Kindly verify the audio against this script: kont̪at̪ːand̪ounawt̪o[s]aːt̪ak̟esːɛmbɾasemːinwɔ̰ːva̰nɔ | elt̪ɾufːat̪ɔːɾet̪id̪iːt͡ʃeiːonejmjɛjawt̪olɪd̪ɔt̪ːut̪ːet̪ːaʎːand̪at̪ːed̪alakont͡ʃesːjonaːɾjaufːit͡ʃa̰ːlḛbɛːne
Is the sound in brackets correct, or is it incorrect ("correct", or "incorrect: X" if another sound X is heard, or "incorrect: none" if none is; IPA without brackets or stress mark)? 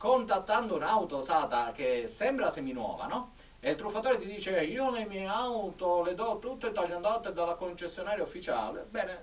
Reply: correct